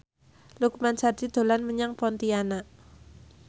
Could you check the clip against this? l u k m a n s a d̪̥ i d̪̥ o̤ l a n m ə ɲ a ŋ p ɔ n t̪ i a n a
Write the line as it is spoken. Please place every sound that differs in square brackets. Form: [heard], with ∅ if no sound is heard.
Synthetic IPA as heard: l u k m a n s a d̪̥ i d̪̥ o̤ l a n m ə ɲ a ŋ p ɔ n t̪ i a n a